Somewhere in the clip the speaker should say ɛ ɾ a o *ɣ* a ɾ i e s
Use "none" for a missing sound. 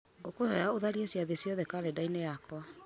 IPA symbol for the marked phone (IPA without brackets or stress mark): ð